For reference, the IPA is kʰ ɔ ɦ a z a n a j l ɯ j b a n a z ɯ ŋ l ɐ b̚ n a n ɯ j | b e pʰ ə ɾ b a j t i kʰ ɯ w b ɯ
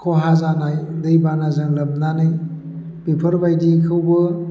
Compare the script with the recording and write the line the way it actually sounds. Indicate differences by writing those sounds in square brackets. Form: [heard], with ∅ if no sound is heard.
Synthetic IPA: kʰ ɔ ɦ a z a n a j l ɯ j b a n a z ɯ ŋ l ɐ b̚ n a n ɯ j | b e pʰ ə ɾ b a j [d] i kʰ ɯ w b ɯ